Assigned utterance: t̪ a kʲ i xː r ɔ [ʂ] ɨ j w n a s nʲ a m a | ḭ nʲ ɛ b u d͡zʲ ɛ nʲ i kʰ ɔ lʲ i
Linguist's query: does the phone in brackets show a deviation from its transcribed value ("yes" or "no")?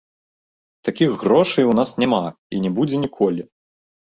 no